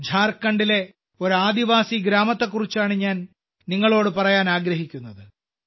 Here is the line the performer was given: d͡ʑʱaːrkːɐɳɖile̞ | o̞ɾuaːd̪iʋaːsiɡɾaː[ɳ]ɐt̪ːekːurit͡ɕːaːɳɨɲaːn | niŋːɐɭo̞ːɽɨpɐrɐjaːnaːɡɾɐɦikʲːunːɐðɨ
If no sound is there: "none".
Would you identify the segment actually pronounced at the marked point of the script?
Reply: m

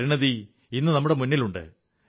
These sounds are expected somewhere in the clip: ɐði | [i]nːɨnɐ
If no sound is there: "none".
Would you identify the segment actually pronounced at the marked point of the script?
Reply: i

